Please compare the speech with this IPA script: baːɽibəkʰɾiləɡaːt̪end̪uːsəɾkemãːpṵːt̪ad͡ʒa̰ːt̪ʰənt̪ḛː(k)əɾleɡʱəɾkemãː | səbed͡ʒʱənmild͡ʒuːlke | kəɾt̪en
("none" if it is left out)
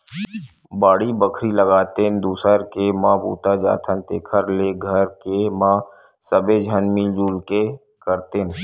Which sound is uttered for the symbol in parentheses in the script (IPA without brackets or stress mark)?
kʰ